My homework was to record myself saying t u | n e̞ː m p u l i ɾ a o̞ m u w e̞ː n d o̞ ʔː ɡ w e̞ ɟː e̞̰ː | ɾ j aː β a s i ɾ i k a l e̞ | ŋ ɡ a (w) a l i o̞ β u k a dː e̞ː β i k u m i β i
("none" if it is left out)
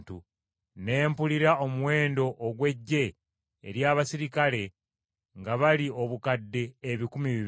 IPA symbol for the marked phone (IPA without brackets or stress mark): β